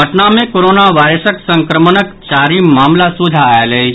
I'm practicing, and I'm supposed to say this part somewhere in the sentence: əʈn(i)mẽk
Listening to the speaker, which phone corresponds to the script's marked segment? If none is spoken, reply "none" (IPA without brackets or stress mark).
a